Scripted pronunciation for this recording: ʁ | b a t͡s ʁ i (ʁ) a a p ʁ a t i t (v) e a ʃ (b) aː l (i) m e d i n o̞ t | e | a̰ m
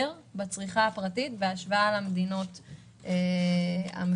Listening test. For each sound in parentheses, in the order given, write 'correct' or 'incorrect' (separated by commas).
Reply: incorrect, correct, incorrect, incorrect